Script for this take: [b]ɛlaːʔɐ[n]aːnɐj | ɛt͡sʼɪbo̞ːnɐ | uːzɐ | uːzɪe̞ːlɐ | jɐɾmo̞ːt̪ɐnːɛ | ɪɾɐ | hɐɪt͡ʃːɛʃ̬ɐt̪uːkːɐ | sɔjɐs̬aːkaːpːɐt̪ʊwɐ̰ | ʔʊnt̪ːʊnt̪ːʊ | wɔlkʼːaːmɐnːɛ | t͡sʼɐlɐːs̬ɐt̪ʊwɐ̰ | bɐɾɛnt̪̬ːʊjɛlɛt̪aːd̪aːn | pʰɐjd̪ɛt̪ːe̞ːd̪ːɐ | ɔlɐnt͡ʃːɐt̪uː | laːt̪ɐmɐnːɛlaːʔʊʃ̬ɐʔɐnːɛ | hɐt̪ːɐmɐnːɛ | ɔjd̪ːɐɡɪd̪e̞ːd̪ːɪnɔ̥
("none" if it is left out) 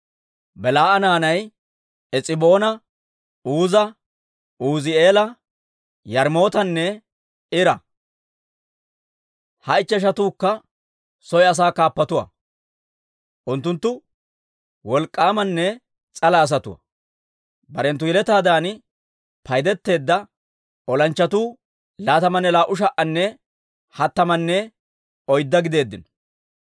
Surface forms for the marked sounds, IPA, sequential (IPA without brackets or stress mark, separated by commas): b, n